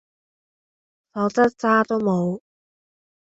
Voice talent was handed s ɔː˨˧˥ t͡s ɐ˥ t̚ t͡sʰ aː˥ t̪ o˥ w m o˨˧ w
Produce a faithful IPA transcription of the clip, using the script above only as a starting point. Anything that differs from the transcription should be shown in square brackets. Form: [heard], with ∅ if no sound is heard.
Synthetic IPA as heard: s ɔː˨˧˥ t͡s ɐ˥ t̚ [t͡s] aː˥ t̪ o˥ w m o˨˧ w